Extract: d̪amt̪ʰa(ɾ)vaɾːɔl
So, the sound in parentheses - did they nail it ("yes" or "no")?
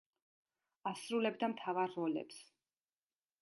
no